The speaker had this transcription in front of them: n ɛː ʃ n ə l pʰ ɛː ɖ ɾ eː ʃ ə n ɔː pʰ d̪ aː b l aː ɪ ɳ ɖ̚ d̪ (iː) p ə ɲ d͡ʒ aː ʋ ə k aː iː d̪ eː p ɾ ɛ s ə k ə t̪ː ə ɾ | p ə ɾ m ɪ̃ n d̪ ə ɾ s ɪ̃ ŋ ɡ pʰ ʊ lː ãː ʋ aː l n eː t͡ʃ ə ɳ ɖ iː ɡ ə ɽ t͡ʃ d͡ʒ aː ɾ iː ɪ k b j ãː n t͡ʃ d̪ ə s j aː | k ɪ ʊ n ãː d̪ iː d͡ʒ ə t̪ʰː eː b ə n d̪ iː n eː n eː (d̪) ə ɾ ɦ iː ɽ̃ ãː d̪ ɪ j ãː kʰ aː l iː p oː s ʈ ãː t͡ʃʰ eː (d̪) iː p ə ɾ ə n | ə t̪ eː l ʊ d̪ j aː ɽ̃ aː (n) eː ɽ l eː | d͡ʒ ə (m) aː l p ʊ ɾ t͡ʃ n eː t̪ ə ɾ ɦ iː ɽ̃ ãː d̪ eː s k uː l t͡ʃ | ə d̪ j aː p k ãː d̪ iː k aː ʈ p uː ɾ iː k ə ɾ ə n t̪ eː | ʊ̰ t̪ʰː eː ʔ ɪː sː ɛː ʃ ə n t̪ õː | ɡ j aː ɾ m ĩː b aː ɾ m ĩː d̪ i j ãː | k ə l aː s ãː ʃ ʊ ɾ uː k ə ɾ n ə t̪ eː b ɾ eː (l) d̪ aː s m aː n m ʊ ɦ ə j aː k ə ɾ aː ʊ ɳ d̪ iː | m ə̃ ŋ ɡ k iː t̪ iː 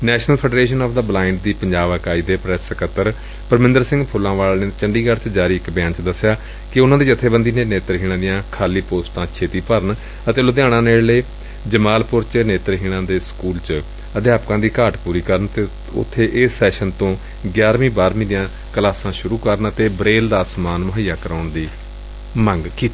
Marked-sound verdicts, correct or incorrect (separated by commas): correct, incorrect, incorrect, correct, correct, correct